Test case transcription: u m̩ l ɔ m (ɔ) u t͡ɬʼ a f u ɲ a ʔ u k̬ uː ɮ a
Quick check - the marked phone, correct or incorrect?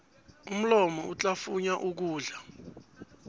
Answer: correct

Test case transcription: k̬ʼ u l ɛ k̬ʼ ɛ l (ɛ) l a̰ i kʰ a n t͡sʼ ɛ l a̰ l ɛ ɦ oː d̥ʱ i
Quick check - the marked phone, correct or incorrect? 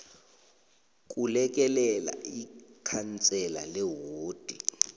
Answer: correct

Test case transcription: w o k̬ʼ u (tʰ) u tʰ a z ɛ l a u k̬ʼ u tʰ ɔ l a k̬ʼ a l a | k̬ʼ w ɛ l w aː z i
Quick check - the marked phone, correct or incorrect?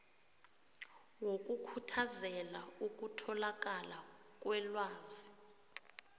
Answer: incorrect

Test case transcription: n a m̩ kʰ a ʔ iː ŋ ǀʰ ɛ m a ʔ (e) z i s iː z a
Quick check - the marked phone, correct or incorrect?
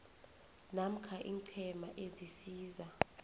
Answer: correct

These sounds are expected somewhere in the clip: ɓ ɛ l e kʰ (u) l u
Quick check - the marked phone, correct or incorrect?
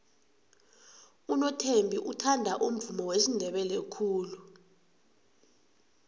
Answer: incorrect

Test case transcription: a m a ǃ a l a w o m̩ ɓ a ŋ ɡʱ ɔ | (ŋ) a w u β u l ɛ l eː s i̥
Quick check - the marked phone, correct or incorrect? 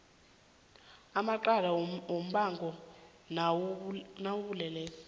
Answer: incorrect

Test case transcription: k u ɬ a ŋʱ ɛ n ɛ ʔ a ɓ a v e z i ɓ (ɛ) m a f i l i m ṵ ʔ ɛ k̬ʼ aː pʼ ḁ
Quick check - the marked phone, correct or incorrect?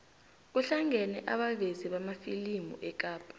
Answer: incorrect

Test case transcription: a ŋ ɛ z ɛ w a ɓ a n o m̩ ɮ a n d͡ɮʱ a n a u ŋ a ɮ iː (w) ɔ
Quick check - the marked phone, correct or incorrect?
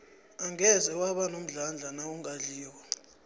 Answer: correct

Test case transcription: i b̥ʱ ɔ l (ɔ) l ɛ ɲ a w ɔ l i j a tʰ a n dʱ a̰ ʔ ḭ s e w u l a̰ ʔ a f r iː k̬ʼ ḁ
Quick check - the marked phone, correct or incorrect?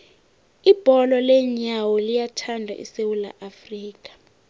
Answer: correct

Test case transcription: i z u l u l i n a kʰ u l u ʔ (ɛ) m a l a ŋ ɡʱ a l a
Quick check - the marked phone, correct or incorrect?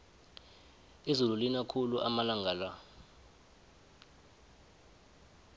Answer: incorrect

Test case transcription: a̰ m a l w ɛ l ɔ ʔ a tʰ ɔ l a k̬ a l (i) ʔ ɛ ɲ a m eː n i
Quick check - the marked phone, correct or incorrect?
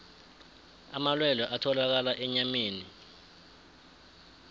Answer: incorrect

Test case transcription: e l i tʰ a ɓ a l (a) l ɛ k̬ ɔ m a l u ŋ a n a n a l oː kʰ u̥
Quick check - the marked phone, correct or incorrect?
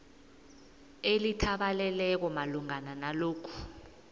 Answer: incorrect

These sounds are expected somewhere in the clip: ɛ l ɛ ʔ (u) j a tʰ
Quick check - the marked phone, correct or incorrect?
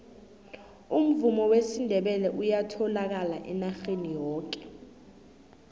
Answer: correct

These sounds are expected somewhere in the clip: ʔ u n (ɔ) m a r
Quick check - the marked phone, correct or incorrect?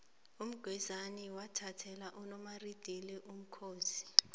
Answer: correct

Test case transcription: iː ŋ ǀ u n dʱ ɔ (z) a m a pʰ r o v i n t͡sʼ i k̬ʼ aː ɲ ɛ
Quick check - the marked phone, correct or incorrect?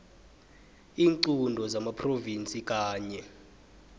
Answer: correct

